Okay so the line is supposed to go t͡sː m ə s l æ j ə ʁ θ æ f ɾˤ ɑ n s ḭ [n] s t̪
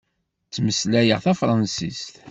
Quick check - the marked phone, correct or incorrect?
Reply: incorrect